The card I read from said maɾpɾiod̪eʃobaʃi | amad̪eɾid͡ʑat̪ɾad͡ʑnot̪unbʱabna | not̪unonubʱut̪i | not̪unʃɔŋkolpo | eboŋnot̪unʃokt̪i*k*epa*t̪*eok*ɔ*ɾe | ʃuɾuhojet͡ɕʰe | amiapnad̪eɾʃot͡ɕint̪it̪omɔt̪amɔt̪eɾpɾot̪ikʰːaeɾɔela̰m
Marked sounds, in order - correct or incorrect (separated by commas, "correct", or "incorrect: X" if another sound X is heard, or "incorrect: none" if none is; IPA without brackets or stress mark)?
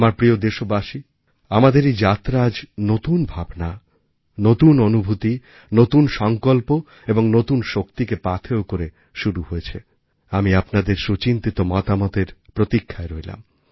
correct, incorrect: t̪ʰ, incorrect: o